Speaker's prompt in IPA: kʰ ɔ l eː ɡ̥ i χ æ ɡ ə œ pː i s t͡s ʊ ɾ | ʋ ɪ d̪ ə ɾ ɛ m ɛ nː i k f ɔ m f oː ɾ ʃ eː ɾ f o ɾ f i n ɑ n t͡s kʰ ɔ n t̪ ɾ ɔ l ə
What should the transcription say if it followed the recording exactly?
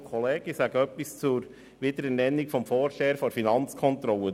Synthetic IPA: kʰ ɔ l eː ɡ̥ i s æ ɡ ə œ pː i s t͡s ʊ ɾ | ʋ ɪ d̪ ə ɾ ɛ n ɛ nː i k f ɔ m f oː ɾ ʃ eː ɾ f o ɾ f i n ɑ n t͡s kʰ ɔ n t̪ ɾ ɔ l ə